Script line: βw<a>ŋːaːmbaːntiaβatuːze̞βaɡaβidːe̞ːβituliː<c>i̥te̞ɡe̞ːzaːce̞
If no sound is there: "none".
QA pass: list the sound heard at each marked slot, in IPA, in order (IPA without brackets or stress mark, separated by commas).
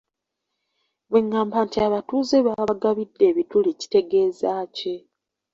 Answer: e, c